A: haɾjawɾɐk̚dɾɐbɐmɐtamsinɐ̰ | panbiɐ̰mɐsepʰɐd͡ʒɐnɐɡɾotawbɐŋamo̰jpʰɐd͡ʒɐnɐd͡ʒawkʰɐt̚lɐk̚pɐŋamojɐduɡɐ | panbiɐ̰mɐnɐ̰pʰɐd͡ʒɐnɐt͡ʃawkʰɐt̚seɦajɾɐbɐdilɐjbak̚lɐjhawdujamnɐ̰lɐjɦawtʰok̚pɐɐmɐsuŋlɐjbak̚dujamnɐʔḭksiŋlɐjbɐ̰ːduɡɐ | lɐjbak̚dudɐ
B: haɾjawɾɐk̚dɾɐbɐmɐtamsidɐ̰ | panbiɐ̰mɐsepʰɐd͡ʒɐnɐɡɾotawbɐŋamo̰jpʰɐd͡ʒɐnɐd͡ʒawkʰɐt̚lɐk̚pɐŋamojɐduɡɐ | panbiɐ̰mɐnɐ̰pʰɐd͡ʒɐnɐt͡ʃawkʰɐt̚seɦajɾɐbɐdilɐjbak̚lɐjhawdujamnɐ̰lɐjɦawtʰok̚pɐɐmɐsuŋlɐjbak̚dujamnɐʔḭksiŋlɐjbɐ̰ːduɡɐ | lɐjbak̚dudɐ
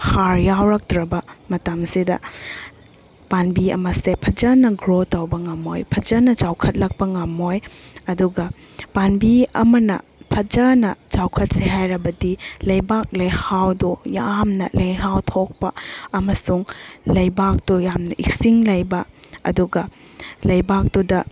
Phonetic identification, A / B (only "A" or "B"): B